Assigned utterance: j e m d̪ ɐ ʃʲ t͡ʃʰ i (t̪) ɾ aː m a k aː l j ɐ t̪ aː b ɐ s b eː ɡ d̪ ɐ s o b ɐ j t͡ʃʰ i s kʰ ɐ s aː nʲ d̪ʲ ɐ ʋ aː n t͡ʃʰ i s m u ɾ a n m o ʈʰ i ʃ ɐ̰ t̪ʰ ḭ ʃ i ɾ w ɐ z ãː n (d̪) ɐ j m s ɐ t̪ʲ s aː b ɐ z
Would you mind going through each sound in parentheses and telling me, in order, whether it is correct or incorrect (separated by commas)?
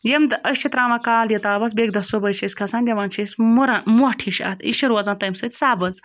correct, incorrect